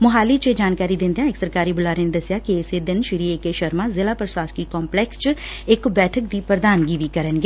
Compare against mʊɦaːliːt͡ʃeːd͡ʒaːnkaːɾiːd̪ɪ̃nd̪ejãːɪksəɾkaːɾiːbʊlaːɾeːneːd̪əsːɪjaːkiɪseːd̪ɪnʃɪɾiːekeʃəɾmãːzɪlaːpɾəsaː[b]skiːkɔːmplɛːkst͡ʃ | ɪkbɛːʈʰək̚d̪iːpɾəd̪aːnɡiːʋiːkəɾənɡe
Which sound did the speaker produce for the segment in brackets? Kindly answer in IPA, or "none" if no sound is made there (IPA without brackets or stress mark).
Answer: none